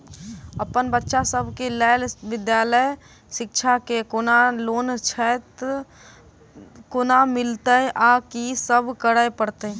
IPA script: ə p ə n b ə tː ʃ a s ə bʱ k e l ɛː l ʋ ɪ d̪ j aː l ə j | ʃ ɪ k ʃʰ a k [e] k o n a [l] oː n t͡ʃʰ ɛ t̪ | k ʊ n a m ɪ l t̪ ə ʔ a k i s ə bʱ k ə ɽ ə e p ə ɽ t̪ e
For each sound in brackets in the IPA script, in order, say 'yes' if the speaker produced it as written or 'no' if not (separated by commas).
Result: yes, yes